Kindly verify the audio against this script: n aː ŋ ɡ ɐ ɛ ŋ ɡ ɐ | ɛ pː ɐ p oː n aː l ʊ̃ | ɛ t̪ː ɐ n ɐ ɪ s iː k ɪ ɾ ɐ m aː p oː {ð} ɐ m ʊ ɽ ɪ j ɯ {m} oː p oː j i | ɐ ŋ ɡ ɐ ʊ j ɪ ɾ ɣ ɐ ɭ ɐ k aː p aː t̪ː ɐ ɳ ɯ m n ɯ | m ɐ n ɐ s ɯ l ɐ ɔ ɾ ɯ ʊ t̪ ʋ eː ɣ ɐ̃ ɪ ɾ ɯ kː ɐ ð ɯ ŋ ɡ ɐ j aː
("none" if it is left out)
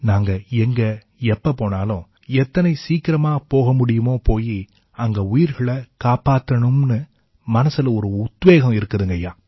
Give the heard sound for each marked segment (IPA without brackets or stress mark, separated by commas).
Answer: ɣ, m